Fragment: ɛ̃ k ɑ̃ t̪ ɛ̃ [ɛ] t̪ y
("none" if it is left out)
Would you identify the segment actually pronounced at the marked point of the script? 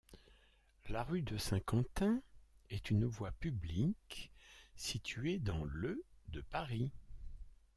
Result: ɛ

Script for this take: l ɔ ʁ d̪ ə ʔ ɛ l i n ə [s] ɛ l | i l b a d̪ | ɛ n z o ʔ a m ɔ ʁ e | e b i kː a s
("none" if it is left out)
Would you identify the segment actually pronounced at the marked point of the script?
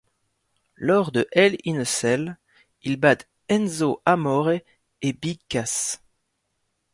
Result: s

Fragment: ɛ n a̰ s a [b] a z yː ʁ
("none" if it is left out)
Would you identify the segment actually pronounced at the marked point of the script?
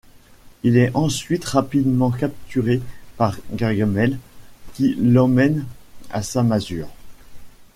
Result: m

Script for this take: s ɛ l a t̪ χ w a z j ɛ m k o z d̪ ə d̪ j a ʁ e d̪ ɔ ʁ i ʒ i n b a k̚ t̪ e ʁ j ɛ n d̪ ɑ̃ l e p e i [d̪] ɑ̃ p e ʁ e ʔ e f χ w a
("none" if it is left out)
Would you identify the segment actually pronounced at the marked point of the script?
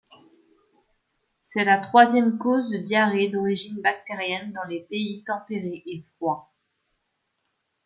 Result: t̪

